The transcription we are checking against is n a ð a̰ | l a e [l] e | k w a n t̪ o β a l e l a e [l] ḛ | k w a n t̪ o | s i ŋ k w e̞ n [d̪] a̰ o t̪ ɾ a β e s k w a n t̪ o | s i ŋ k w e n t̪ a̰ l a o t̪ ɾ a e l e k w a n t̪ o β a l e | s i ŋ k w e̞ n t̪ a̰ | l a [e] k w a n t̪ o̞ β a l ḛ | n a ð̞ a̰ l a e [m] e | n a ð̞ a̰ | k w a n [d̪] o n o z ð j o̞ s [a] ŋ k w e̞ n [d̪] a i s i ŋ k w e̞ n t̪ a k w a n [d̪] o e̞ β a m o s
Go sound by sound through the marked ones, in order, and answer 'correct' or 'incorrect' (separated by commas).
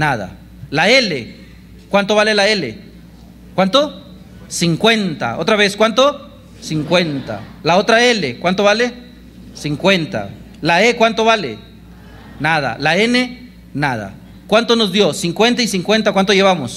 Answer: correct, correct, incorrect, correct, incorrect, incorrect, incorrect, incorrect, incorrect